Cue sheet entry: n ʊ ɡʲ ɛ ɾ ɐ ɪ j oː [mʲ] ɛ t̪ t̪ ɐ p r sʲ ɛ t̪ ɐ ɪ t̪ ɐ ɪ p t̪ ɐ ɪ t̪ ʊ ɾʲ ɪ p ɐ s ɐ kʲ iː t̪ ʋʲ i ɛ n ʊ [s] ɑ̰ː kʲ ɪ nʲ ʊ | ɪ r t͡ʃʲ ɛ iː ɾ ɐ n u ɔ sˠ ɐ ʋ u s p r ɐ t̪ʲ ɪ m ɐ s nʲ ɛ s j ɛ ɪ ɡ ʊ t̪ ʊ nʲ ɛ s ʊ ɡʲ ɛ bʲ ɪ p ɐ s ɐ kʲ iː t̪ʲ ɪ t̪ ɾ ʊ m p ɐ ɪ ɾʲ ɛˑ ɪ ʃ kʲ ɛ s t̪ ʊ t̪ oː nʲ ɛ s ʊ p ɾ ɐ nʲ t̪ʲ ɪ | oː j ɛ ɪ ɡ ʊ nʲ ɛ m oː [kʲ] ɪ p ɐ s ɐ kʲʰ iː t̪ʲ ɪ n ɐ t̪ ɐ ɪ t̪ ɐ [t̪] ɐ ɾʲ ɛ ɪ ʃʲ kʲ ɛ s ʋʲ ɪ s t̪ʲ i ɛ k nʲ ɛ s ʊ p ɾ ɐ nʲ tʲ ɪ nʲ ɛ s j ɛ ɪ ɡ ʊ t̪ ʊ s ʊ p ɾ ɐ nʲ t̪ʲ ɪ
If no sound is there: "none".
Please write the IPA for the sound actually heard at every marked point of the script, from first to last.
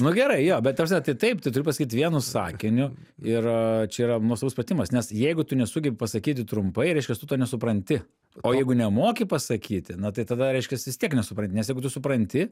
bʲ, s, kʲ, d̪

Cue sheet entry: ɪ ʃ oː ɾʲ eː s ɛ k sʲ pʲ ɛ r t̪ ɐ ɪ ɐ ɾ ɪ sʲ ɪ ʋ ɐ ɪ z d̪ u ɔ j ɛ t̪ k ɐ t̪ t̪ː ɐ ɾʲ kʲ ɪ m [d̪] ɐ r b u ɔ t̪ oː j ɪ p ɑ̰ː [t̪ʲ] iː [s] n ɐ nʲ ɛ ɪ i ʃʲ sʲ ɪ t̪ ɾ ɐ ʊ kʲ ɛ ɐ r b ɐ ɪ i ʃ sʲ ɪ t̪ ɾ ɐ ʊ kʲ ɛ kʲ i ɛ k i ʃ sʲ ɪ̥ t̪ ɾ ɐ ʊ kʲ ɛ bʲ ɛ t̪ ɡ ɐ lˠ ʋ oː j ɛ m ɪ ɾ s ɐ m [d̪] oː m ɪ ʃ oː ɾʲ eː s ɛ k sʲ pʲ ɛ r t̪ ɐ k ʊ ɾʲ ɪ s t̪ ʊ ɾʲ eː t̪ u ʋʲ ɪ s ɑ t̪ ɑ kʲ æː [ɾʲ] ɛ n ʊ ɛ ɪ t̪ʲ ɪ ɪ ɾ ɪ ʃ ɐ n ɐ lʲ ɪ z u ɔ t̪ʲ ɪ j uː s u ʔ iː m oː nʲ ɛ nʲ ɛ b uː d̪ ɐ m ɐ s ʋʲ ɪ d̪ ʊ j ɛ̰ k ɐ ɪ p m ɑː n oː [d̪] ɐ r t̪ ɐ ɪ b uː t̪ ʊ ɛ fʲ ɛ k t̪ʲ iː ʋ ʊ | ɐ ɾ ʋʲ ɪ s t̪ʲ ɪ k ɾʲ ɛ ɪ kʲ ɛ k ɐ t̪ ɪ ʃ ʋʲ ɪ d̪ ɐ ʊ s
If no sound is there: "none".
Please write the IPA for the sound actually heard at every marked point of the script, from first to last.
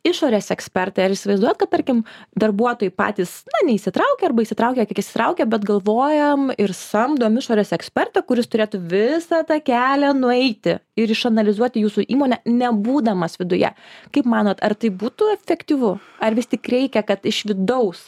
d̪, t̪ʲ, s, d̪, lʲ, t̪

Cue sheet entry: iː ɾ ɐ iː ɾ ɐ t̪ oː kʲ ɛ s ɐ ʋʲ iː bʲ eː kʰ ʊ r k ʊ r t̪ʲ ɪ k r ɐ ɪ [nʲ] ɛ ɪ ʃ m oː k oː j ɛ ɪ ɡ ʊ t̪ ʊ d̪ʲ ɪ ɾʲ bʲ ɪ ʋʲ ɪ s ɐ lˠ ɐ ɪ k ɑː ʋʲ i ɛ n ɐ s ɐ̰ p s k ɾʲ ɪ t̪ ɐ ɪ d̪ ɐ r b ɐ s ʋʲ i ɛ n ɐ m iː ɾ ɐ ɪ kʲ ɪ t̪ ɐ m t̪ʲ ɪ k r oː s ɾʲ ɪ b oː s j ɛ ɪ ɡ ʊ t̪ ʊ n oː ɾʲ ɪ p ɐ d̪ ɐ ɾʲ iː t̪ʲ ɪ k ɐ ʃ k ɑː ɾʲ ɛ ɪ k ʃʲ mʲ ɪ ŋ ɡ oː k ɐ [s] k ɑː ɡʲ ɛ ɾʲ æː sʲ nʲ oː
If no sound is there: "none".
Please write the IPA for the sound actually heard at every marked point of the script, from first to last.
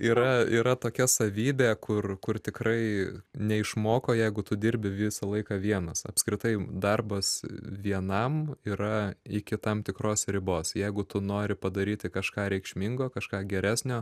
nʲ, ʃ

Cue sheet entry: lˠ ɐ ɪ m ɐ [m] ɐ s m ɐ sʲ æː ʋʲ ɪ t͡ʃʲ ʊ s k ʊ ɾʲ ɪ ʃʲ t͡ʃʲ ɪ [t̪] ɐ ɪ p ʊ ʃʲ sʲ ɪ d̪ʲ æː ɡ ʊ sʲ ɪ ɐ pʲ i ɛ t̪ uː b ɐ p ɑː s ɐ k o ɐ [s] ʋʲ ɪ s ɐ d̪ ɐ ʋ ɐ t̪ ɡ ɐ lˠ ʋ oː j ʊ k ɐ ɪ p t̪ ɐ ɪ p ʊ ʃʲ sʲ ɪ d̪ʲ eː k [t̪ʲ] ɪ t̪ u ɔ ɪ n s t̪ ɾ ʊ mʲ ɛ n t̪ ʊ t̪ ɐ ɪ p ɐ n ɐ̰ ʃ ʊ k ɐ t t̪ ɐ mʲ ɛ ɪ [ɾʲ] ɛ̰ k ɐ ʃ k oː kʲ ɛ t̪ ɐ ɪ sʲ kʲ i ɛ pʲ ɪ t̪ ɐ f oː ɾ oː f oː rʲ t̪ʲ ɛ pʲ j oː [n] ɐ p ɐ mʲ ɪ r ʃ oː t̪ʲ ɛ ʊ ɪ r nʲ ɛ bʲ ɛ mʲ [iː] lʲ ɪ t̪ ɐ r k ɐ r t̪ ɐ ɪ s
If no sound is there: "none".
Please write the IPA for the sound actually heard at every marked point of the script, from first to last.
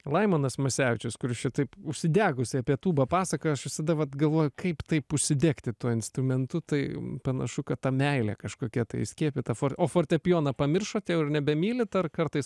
n, t̪, ʃ, t̪ʲ, lʲ, n, iː

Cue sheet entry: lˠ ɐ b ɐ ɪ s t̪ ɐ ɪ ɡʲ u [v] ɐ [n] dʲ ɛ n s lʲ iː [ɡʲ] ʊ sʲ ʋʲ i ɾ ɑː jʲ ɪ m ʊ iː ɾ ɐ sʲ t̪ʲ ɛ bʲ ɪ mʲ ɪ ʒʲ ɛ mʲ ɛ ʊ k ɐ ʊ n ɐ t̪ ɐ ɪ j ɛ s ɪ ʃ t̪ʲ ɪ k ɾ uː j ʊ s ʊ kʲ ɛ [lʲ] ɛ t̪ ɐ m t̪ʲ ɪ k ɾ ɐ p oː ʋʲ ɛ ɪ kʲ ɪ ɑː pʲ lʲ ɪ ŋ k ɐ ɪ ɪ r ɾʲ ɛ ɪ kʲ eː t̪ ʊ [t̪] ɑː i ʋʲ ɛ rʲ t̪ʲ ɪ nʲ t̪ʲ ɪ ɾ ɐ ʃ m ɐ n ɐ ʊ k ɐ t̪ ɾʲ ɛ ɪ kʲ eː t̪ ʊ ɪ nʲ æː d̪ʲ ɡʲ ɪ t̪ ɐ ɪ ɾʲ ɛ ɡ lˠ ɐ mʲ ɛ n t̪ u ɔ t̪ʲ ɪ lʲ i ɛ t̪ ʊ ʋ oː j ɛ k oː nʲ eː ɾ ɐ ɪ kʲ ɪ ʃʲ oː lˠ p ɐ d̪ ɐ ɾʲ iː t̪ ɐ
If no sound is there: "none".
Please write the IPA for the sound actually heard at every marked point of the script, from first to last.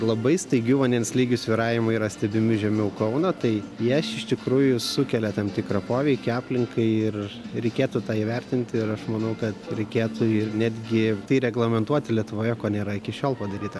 ʋ, n, ɡʲ, lʲ, t̪

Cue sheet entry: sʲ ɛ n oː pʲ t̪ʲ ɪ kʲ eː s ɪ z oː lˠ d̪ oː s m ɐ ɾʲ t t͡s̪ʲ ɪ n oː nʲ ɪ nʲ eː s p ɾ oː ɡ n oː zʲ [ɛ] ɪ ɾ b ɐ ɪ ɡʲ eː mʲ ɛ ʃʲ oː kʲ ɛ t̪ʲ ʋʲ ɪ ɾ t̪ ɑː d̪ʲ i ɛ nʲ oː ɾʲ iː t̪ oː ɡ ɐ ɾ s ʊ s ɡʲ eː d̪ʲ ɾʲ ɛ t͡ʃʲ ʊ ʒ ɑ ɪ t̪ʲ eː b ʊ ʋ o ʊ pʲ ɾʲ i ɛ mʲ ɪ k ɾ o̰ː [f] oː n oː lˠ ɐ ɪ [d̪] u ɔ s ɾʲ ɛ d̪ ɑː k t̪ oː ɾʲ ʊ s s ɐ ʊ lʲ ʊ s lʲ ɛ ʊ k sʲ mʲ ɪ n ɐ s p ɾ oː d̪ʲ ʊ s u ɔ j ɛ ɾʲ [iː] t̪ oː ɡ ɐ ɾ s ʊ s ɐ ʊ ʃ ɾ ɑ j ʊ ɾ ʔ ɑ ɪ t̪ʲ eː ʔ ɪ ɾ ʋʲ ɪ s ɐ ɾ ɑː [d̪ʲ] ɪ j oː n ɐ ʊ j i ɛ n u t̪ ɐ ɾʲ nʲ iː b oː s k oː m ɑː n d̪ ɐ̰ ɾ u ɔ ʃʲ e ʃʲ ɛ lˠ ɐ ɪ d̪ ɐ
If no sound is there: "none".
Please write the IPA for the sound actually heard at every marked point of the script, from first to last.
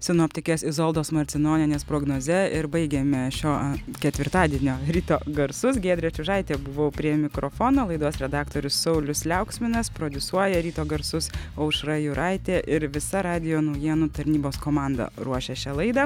ɛ, f, d̪, iː, d̪ʲ

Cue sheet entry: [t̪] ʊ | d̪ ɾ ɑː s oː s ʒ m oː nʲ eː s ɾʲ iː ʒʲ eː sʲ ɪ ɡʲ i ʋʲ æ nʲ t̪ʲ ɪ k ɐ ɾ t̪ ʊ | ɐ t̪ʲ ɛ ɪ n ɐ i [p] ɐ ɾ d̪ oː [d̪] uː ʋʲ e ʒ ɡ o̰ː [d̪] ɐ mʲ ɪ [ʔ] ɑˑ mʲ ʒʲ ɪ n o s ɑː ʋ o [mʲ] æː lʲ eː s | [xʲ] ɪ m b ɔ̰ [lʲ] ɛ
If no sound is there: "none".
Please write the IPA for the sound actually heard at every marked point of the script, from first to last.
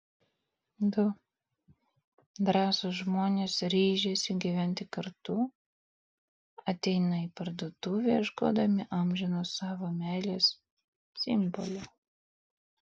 d̪, p, t̪, d̪, ʔ, mʲ, sʲ, lʲ

